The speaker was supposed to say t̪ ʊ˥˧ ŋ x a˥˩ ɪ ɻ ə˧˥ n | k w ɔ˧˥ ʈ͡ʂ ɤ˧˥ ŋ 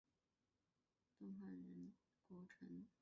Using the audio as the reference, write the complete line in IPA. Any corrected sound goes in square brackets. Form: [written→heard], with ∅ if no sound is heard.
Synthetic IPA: t̪ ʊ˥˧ ŋ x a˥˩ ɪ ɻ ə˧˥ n | k w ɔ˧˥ [ʈ͡ʂ→ʈ͡ʂʰ] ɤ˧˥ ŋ

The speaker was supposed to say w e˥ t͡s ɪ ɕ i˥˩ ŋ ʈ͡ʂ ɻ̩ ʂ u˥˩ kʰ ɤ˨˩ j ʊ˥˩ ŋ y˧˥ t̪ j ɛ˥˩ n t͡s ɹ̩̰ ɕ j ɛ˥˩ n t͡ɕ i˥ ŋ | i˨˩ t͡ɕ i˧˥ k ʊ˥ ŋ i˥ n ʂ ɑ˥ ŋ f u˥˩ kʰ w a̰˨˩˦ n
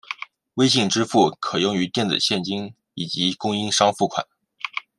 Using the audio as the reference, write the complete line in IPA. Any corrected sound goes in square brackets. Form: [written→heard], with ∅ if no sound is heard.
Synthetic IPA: w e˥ [t͡s→∅] ɪ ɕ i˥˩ ŋ ʈ͡ʂ ɻ̩ [ʂ→f] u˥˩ kʰ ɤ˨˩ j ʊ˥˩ ŋ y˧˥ t̪ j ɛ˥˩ n t͡s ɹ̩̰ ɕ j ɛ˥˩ n t͡ɕ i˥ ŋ | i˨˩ t͡ɕ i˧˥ k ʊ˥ ŋ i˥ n ʂ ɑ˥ ŋ f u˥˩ kʰ w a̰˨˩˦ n

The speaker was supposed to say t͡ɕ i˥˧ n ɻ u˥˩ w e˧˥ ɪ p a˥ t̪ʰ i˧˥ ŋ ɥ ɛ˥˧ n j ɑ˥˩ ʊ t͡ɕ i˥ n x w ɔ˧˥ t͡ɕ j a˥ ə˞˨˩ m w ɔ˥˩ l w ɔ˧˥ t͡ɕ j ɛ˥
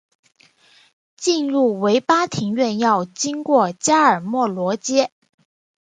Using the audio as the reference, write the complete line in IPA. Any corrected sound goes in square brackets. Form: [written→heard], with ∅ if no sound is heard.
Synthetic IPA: t͡ɕ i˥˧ n ɻ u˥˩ w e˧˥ ɪ p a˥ t̪ʰ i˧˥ ŋ ɥ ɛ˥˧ n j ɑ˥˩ ʊ t͡ɕ i˥ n [x→k] w [ɔ˧˥→ɔ˥˩] t͡ɕ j a˥ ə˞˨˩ m w ɔ˥˩ l w ɔ˧˥ t͡ɕ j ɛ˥

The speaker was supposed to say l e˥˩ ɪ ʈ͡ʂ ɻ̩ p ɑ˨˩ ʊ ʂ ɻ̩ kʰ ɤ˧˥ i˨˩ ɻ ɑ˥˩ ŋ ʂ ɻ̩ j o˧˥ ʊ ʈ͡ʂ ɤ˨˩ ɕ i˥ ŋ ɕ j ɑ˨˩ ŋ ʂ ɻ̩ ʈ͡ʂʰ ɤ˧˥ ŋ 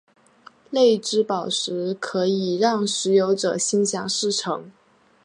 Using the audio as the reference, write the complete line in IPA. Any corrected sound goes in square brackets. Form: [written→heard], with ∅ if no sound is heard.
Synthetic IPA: l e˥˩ ɪ ʈ͡ʂ ɻ̩ p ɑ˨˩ ʊ ʂ ɻ̩ kʰ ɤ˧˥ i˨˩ ɻ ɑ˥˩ ŋ ʂ ɻ̩ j o˧˥ ʊ ʈ͡ʂ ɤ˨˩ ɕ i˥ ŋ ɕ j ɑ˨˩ ŋ ʂ ɻ̩ ʈ͡ʂʰ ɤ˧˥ ŋ

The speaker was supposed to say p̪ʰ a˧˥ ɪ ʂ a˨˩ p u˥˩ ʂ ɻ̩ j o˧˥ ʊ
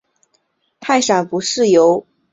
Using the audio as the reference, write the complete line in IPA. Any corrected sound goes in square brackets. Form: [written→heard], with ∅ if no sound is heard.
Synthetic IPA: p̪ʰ [a˧˥→a˥˩] ɪ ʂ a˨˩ p [u˥˩→u˧˥] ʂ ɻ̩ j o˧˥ ʊ

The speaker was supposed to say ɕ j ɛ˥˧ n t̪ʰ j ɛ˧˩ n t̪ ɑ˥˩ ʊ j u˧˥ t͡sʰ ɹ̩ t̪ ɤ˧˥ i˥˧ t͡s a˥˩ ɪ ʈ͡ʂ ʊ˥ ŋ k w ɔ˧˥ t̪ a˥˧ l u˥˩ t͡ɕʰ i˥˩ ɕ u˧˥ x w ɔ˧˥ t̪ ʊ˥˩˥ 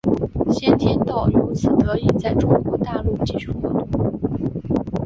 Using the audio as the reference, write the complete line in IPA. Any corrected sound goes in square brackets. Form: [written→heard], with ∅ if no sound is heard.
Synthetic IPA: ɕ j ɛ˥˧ n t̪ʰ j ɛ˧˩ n t̪ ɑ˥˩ ʊ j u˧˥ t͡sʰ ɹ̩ t̪ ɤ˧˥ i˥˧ t͡s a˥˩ ɪ ʈ͡ʂ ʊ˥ ŋ k w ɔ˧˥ t̪ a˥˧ l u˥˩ [t͡ɕʰ→t͡ɕ] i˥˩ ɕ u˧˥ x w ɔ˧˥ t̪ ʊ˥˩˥

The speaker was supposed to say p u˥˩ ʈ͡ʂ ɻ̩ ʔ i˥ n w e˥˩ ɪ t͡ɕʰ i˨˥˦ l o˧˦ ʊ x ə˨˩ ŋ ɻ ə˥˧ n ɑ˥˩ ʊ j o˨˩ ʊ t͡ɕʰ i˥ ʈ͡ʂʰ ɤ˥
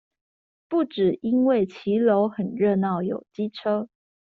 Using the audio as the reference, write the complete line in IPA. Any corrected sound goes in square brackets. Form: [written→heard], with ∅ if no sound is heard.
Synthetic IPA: p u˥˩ ʈ͡ʂ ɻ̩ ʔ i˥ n w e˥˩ ɪ t͡ɕʰ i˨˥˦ l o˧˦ ʊ x ə˨˩ [ŋ→n] ɻ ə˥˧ n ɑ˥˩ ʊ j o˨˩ ʊ [t͡ɕʰ→t͡ɕ] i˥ ʈ͡ʂʰ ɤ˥

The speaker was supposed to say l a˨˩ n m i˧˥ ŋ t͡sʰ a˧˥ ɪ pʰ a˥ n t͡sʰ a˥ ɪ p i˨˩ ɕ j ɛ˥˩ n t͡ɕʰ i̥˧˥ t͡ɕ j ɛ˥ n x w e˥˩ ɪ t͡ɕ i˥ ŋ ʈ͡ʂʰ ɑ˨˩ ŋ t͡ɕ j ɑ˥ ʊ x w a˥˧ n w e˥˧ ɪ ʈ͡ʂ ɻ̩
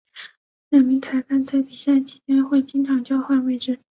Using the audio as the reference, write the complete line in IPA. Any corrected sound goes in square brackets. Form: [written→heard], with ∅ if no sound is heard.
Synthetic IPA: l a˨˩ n m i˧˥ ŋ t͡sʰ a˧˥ ɪ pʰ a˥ n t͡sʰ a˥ ɪ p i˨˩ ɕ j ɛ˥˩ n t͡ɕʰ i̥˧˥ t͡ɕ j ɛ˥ n x w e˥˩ ɪ t͡ɕ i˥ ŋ ʈ͡ʂʰ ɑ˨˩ ŋ t͡ɕ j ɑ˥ ʊ x w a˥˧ n w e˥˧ ɪ ʈ͡ʂ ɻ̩

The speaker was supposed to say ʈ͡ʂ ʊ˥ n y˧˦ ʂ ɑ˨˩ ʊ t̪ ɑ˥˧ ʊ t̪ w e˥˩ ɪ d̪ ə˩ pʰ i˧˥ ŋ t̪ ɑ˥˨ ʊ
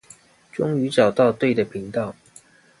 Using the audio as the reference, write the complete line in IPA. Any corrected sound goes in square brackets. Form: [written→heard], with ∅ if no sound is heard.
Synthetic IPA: ʈ͡ʂ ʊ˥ [n→ŋ] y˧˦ [ʂ→ʈ͡ʂ] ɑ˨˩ ʊ t̪ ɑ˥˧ ʊ t̪ w e˥˩ ɪ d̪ ə˩ pʰ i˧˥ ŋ t̪ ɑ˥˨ ʊ

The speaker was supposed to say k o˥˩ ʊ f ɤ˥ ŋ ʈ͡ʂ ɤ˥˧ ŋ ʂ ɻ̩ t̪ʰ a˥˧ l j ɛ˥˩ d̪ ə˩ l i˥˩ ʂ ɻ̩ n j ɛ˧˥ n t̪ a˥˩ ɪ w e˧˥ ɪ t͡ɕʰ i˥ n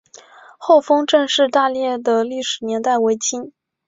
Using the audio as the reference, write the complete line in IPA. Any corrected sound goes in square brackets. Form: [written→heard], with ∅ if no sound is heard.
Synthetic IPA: [k→x] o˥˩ ʊ f ɤ˥ ŋ ʈ͡ʂ ɤ˥˧ ŋ ʂ ɻ̩ [t̪ʰ→t̪] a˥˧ l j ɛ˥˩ d̪ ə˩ l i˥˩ ʂ ɻ̩ n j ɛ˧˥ n t̪ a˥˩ ɪ w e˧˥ ɪ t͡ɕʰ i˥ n

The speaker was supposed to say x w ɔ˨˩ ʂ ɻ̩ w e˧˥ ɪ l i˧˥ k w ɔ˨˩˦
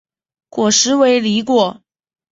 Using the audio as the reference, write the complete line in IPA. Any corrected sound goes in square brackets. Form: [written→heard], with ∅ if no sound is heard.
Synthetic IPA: [x→k] w ɔ˨˩ ʂ ɻ̩ w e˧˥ ɪ l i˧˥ k w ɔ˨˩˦

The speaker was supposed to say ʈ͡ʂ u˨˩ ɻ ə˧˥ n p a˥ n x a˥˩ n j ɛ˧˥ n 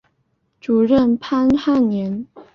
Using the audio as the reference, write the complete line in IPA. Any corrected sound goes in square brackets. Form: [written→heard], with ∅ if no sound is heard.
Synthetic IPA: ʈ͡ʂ u˨˩ ɻ [ə˧˥→ə˥˩] n [p→pʰ] a˥ n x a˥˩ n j ɛ˧˥ n

